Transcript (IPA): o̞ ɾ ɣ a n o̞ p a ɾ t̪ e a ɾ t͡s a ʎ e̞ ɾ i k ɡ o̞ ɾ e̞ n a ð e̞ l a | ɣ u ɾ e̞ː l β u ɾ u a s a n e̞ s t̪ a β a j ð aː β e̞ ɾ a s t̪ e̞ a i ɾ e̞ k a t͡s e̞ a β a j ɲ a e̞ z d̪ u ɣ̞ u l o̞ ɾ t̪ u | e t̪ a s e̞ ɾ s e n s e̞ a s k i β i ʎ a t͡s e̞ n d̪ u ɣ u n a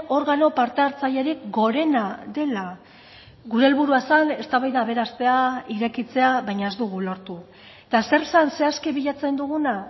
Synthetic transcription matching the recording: o̞ ɾ ɣ a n o̞ p a ɾ t̪ e a ɾ t͡s a ʎ e̞ ɾ i k ɡ o̞ ɾ e̞ n a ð e̞ l a | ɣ u ɾ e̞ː l β u ɾ u a s a n e̞ s t̪ a β a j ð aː β e̞ ɾ a s t̪ e̞ a i ɾ e̞ k i t͡s e̞ a β a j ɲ a e̞ z d̪ u ɣ̞ u l o̞ ɾ t̪ u | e t̪ a s e̞ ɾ s a n s e̞ a s k i β i ʎ a t͡s e̞ n d̪ u ɣ u n a

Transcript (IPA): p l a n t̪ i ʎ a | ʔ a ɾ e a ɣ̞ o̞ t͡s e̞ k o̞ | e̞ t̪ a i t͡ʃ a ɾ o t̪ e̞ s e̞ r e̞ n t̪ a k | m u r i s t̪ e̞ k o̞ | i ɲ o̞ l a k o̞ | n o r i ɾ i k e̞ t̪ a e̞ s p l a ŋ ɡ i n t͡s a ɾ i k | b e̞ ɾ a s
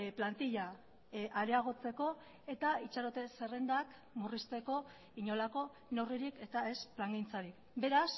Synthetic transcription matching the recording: p l a n t̪ i ʎ a | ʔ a ɾ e a ɣ̞ o̞ t͡s e̞ k o̞ | e̞ t̪ a i t͡ʃ a ɾ o t̪ e̞ s e̞ r e̞ n d̪ a k | m u r i s t̪ e̞ k o̞ | i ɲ o̞ l a k o̞ | n o r i ɾ i k e̞ t̪ a e̞ s p l a ŋ ɡ i n t͡s a ɾ i k | b e̞ ɾ a s

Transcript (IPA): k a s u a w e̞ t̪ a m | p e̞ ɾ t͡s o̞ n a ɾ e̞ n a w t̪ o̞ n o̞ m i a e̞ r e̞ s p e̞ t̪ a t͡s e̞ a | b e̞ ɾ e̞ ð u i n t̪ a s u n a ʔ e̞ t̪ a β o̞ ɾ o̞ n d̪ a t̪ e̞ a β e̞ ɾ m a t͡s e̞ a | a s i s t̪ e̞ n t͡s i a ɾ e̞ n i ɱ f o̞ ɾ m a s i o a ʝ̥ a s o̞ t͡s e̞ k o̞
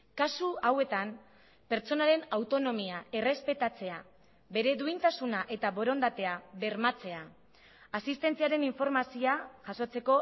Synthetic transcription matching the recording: k a s u a w e̞ t̪ a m | p e̞ ɾ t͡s o̞ n a ɾ e̞ n a w t̪ o̞ n o̞ m i a e̞ r e̞ s p e̞ t̪ a t͡s e̞ a | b e̞ ɾ e̞ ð u i n t̪ a s u n a ʔ e̞ t̪ a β o̞ ɾ o̞ n d̪ a t̪ e̞ a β e̞ ɾ m a t͡s e̞ a | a s i s t̪ e̞ n t͡s i a ɾ e̞ n i ɱ f o̞ ɾ m a s i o a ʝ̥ a s o̞ t͡s e̞ k o̞

